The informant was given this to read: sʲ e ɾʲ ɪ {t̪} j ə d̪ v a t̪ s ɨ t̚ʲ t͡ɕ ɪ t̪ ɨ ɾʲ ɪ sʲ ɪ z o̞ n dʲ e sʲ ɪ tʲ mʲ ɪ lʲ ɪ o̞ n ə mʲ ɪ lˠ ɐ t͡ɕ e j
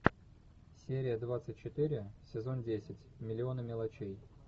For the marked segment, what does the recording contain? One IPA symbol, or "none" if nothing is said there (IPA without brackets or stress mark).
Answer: none